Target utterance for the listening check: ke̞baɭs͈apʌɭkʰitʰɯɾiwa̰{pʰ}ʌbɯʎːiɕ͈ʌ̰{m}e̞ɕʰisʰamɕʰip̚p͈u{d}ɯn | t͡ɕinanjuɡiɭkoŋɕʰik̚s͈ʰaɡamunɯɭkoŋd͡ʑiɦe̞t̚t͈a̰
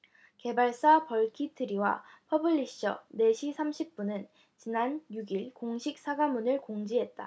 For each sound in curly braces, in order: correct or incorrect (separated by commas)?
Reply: correct, incorrect, incorrect